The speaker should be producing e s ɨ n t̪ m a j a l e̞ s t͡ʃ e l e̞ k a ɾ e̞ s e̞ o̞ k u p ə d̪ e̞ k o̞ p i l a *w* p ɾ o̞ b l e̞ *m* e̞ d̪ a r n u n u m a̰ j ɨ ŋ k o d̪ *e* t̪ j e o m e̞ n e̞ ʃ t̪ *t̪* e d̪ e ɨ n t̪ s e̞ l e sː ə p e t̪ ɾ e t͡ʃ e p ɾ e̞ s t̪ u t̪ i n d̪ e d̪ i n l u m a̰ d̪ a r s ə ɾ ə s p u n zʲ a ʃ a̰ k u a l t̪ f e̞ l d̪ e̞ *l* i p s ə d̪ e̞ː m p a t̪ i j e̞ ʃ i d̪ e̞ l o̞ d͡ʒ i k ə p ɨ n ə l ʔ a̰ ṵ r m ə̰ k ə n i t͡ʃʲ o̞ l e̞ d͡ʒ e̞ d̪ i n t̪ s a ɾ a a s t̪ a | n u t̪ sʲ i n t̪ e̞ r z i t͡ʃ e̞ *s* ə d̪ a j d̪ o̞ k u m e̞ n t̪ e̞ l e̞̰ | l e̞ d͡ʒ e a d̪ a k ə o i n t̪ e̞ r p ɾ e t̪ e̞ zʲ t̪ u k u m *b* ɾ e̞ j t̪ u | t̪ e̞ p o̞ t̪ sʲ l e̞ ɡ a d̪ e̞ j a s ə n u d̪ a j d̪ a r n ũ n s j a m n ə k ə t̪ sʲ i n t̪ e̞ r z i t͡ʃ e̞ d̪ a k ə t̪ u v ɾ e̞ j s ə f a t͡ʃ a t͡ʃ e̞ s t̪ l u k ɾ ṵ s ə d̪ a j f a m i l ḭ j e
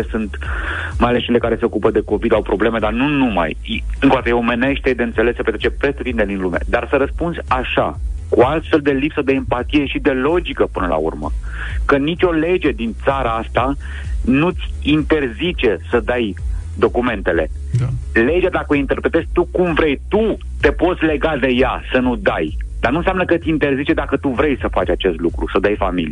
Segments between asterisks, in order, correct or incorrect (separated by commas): correct, correct, incorrect, correct, correct, correct, incorrect